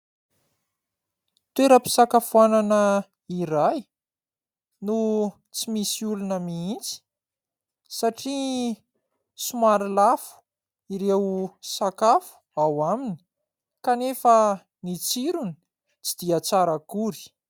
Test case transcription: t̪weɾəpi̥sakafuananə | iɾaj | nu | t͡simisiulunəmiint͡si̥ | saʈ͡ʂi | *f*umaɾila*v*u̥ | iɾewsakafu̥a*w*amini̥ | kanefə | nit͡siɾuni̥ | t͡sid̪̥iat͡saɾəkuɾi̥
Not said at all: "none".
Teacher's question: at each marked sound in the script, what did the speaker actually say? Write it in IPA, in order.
s, f, w

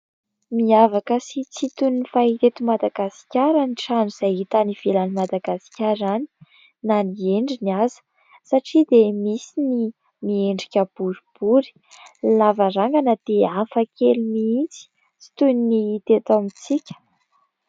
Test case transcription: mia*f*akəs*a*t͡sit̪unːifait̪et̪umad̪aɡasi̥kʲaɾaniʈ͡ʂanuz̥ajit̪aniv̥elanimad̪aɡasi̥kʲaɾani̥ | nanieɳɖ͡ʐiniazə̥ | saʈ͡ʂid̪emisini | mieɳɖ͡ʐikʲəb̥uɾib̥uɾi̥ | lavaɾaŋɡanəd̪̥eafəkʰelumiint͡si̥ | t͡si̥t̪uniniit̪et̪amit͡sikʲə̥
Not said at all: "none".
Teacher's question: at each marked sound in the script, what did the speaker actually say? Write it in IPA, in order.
v, i

